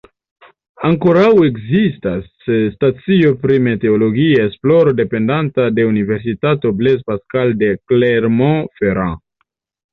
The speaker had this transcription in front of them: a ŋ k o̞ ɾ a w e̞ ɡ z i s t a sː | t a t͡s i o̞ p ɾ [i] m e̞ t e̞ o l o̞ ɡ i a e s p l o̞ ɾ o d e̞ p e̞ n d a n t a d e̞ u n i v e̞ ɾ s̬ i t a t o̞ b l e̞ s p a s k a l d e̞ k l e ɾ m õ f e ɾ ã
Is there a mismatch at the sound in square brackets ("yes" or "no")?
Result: no